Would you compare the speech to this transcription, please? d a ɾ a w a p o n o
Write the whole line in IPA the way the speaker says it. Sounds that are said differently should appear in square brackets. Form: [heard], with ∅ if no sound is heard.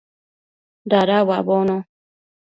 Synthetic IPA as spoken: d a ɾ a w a [b] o n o